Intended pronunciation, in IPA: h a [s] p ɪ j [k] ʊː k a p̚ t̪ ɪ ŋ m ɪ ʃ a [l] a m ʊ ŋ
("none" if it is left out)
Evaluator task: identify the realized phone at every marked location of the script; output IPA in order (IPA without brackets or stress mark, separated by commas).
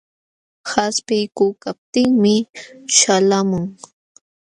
s, k, l